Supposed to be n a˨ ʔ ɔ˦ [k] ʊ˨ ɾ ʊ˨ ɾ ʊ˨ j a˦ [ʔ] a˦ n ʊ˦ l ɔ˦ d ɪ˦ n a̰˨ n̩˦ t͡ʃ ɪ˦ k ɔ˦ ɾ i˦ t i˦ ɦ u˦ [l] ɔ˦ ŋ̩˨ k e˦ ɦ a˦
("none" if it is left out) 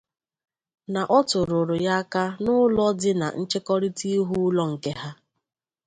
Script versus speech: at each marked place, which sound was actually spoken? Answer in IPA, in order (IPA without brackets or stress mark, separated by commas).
t, k, l